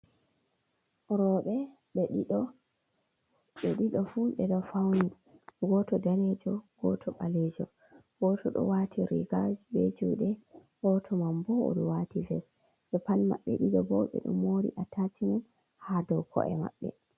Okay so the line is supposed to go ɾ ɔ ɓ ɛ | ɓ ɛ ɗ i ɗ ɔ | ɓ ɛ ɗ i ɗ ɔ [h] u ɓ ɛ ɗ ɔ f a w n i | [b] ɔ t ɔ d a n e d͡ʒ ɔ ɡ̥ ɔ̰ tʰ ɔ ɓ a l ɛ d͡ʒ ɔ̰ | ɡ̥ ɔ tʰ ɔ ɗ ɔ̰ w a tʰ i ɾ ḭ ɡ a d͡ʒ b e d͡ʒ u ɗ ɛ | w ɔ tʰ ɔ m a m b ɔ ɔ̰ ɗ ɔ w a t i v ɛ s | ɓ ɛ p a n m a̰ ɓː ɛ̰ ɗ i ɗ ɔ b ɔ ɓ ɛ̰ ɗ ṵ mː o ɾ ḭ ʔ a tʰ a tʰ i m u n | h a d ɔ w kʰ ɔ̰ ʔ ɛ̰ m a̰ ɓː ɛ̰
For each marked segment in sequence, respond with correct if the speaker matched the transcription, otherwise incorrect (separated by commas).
incorrect, incorrect